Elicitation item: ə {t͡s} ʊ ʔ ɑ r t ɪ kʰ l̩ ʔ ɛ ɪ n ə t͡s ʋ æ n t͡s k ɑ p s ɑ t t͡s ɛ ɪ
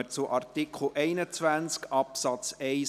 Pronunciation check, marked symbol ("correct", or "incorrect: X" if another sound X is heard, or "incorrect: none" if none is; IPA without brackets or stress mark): correct